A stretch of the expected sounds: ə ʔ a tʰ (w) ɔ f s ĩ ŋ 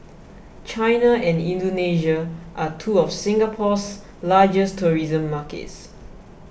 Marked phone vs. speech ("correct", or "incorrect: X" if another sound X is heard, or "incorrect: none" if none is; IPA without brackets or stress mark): incorrect: u